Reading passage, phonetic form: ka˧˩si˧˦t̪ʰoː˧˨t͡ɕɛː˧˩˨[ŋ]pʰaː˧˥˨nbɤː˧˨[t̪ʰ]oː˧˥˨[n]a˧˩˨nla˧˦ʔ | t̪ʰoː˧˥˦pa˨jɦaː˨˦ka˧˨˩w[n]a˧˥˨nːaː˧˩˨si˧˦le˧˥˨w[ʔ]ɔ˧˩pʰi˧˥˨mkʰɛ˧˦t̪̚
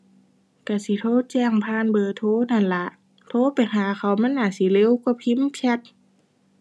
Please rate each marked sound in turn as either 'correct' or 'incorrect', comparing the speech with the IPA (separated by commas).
correct, correct, correct, incorrect, incorrect